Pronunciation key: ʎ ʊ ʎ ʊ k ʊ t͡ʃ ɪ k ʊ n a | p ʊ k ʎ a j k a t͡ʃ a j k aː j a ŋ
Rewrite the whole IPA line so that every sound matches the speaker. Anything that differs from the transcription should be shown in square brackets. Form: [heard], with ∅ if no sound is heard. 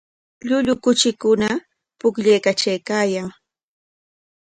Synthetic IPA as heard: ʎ ʊ ʎ ʊ k ʊ t͡ʃ ɪ k ʊ n a | p ʊ k ʎ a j k a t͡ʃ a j k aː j a ŋ